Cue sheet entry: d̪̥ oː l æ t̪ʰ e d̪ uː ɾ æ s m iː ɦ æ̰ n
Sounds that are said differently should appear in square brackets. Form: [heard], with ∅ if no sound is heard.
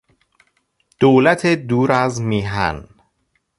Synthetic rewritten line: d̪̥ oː l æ t̪ʰ e d̪ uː ɾ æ [z] m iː ɦ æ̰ n

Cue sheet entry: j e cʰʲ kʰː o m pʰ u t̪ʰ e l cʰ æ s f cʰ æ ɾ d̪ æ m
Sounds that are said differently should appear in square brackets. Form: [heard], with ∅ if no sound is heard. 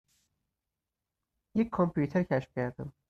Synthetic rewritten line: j e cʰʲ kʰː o m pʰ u t̪ʰ e [ɾ] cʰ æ [ʃ] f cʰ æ ɾ d̪ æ m

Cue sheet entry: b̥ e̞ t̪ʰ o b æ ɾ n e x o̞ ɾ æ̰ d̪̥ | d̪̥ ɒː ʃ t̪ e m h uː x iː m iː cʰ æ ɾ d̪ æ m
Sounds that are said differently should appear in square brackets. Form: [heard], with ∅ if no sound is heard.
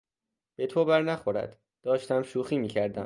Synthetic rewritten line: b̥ e̞ t̪ʰ o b æ ɾ n [æ] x o̞ ɾ æ̰ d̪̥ | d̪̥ ɒː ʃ t̪ [æ] m [ʃ] uː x iː m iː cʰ æ ɾ d̪ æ m

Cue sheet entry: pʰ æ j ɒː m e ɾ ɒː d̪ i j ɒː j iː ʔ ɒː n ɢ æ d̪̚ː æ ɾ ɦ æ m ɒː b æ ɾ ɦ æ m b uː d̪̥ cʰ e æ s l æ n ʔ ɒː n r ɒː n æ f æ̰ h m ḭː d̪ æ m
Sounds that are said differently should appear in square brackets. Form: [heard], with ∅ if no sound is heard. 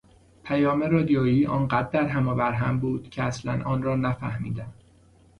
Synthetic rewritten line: pʰ æ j ɒː m e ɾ ɒː d̪ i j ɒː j iː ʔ ɒː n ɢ æ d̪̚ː æ ɾ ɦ æ m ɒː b æ ɾ ɦ æ m b uː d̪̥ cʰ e æ s l æ n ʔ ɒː n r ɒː n æ f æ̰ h m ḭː d̪ æ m

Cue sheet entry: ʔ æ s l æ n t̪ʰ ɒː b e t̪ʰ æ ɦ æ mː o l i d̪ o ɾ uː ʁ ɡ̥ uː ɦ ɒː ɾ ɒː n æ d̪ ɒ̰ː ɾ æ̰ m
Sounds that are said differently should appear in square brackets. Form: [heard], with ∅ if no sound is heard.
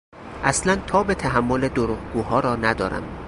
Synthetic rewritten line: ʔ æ s l æ n t̪ʰ ɒː b e t̪ʰ æ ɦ æ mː o l [e] d̪ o ɾ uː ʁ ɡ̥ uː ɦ ɒː ɾ ɒː n æ d̪ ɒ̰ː ɾ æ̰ m

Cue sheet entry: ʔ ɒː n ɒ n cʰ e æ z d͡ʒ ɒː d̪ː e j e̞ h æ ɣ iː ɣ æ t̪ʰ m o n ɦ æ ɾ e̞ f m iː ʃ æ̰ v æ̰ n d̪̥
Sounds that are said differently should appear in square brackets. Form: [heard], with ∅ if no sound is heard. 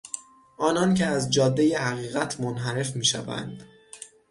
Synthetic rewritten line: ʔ ɒː n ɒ n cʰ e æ z d͡ʒ ɒː d̪ː e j e̞ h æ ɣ iː ɣ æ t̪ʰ m o n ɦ æ ɾ e̞ f m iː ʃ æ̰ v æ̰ n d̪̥

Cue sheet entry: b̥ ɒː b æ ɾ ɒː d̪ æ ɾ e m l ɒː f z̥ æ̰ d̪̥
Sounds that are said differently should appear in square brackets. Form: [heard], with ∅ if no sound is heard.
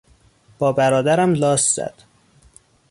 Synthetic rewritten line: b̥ ɒː b æ ɾ ɒː d̪ æ ɾ [æ] m l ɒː [s] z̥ æ̰ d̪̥

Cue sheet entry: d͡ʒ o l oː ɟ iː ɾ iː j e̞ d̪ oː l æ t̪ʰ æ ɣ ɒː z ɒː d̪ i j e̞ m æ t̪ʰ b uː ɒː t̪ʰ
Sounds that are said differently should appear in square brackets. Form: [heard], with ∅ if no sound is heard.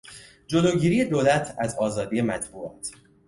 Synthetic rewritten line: d͡ʒ o l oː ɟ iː ɾ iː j e̞ d̪ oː l æ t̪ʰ æ [z] ɒː z ɒː d̪ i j e̞ m æ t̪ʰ b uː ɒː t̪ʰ

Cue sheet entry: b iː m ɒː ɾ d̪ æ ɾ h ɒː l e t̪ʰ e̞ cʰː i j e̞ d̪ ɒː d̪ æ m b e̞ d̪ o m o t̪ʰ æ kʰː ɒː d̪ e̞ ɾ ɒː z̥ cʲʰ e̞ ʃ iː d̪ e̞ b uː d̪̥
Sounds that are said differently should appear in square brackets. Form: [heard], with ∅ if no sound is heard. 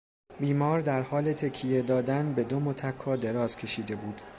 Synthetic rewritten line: b iː m ɒː ɾ d̪ æ ɾ h ɒː l e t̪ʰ e̞ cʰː i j e̞ d̪ ɒː d̪ æ [n] b e̞ d̪ o m o t̪ʰ æ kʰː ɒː d̪ e̞ ɾ ɒː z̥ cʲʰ e̞ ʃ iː d̪ e̞ b uː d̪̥

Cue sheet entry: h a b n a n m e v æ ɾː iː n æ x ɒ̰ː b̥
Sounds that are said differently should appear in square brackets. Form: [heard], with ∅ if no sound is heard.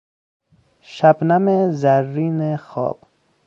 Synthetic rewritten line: [ʃ] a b n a [∅] m e [z] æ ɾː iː n [e] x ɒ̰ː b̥

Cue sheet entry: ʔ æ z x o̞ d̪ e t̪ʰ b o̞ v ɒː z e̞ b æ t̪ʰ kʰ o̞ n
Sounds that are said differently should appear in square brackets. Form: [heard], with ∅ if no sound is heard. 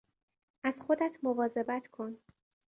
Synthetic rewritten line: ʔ æ z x o̞ d̪ [æ] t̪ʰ [m] o̞ v ɒː z e̞ b æ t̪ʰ kʰ o̞ n

